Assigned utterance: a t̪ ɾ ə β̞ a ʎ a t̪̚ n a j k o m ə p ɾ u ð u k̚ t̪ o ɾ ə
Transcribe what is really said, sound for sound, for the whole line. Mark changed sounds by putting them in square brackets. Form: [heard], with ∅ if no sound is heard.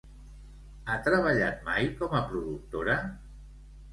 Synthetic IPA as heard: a t̪ ɾ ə β̞ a ʎ a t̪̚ [m] a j k [ɔ] m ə p ɾ u ð u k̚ t̪ o ɾ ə